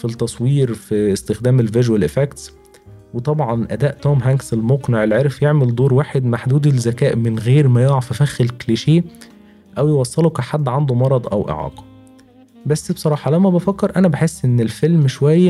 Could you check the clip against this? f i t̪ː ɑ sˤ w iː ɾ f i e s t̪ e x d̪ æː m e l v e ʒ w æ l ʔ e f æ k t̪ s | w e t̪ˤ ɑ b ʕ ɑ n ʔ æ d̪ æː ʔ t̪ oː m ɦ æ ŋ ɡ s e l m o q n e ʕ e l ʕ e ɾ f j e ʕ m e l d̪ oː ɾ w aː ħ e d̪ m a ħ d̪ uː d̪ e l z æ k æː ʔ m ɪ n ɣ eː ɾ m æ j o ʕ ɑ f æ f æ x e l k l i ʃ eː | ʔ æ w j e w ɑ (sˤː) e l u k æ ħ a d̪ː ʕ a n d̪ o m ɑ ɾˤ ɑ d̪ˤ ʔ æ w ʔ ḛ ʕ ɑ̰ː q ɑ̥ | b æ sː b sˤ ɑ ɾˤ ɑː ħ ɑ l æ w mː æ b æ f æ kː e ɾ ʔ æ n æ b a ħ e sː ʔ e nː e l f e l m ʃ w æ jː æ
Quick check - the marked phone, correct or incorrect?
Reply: correct